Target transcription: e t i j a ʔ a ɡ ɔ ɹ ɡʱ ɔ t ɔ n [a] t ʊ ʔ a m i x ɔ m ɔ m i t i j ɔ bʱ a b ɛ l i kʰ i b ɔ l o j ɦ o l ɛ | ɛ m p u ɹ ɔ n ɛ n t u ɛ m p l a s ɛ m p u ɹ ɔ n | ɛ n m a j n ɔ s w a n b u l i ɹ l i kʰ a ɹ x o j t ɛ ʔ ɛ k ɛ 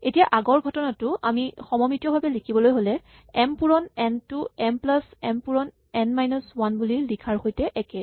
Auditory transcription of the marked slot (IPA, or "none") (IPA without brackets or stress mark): a